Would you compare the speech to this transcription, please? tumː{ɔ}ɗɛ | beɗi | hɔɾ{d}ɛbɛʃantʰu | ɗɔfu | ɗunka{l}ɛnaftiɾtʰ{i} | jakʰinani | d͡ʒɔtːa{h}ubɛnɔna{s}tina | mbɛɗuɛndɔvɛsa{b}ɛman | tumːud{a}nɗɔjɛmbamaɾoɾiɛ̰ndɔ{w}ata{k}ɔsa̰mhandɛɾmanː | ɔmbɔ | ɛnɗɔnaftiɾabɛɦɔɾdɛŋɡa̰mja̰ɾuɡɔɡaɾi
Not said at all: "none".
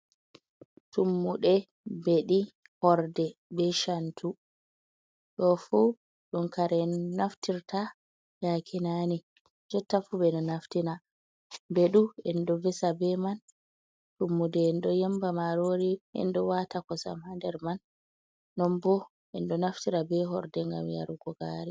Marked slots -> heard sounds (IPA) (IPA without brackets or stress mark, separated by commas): u, d, ɾ, a, f, f, b, ɛ, w, k